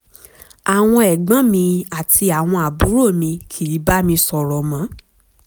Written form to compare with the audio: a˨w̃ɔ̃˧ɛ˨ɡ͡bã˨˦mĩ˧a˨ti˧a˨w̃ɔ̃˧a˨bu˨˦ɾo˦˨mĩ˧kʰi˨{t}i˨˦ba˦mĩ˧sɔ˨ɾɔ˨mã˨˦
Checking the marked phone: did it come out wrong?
yes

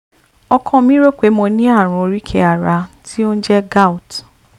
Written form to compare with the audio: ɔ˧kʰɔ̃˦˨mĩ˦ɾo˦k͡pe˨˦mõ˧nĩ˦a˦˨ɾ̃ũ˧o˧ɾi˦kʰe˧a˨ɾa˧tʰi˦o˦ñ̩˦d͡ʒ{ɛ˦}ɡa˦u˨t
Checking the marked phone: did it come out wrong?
no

